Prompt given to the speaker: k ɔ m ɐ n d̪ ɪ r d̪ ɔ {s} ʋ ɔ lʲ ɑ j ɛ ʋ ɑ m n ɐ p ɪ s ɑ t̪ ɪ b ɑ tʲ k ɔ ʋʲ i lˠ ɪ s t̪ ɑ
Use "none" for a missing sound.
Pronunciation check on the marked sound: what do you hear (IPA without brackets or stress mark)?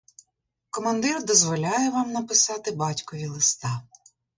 z